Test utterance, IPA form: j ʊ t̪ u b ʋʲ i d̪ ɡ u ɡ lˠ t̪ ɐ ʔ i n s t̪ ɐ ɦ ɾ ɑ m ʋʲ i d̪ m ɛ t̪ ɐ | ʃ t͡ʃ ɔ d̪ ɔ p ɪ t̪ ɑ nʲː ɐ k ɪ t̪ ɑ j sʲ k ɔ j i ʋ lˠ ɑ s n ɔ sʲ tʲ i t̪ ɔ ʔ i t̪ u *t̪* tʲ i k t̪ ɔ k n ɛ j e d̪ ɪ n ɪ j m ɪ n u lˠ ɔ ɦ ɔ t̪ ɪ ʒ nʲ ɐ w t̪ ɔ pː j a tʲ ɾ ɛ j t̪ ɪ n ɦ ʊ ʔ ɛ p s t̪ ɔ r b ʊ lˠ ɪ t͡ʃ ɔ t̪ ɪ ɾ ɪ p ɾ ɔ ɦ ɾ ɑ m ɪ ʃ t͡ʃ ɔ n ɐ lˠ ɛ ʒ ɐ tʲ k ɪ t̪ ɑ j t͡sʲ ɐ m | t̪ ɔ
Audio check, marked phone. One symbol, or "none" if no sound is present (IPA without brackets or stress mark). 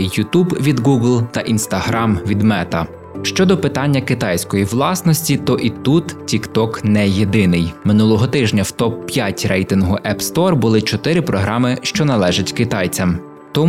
t̪